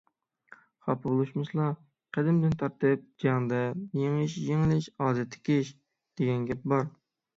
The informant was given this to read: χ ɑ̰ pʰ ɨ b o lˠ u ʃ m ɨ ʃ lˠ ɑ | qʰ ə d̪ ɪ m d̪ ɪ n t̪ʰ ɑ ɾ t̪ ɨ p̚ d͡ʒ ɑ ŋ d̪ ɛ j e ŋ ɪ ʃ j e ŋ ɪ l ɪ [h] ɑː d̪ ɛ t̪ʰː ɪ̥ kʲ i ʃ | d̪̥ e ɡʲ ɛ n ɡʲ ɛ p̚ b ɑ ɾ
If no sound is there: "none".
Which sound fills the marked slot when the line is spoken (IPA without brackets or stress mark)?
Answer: ʃ